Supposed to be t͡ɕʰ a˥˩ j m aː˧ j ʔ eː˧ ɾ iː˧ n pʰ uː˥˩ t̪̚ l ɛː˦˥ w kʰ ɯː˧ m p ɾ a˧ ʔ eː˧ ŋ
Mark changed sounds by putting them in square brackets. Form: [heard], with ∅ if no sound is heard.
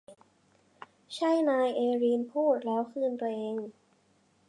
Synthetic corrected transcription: t͡ɕʰ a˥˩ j [n] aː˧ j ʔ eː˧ ɾ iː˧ n pʰ uː˥˩ t̪̚ l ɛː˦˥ w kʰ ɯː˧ [n] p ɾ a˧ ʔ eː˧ ŋ